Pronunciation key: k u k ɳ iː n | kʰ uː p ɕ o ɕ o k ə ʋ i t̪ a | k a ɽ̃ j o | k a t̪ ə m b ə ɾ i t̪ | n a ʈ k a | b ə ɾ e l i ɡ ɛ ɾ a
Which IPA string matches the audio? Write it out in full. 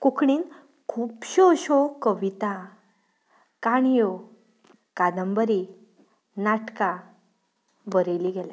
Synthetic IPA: k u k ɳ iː n | kʰ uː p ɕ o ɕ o k ə ʋ i t̪ a | k a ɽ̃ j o | k a d̪ ə m b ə ɾ i | n a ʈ k a | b ə ɾ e l i ɡ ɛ l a